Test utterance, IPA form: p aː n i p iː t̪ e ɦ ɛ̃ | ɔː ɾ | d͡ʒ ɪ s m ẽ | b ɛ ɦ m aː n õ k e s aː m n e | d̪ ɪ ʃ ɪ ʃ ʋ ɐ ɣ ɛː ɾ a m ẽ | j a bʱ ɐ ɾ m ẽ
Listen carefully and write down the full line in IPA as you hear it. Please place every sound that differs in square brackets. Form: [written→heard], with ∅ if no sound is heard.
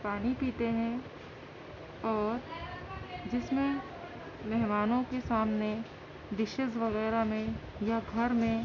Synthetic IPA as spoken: p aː n i p iː t̪ e ɦ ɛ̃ | ɔː ɾ | d͡ʒ ɪ s m ẽ | [b→m] ɛ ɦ m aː n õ k e s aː m n e | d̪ ɪ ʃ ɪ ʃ ʋ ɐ ɣ ɛː ɾ a m ẽ | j a [bʱ→ɡʱ] ɐ ɾ m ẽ